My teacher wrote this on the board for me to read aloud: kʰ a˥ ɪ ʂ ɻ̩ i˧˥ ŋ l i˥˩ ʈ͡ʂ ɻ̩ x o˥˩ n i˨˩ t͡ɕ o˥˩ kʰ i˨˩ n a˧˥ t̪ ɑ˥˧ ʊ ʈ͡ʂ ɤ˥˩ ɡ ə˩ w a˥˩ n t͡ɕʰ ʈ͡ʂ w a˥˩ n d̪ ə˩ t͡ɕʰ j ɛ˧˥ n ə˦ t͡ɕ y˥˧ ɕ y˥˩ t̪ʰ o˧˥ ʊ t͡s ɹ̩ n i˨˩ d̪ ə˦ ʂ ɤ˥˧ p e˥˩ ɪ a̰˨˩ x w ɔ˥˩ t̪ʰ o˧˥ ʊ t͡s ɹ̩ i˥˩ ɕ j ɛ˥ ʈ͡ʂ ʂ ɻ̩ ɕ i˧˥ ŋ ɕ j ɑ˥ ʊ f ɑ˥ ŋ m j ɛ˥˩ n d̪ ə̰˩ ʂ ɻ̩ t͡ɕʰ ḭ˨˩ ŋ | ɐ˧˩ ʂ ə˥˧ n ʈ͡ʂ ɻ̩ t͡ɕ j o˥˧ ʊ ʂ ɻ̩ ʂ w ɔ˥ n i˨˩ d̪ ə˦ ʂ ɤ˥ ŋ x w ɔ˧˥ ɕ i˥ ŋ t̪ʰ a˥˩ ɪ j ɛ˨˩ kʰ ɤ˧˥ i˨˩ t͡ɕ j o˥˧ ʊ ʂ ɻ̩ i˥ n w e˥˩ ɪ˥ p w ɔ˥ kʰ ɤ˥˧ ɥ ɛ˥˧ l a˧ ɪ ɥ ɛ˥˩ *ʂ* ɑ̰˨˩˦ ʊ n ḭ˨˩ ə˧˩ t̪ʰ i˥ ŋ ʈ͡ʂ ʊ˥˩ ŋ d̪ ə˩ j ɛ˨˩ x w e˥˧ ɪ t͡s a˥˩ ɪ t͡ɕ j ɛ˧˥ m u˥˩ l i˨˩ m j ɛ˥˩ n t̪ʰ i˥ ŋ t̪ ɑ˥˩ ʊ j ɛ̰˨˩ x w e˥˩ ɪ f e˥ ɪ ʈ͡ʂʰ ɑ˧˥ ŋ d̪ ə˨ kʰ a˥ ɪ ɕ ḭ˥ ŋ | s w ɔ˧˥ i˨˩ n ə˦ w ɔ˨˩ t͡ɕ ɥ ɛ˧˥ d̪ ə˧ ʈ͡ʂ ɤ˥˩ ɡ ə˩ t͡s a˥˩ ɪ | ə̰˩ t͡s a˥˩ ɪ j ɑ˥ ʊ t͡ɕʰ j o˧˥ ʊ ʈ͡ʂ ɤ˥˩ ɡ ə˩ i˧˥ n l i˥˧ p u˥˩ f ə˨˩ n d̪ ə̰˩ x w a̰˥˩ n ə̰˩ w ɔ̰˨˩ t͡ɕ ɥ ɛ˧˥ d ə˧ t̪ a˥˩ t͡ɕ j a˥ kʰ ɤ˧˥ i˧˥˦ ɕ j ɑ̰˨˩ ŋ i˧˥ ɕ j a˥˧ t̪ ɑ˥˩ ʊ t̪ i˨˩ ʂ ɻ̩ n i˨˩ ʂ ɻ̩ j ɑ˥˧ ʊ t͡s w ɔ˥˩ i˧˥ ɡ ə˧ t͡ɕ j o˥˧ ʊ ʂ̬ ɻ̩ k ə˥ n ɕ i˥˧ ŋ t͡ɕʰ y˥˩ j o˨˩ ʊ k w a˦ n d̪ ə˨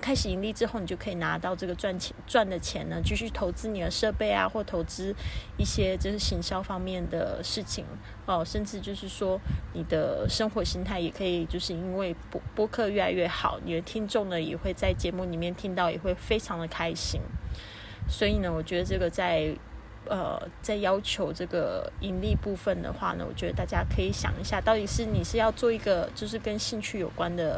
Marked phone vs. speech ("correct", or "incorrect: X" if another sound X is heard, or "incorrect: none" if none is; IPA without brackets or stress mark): incorrect: x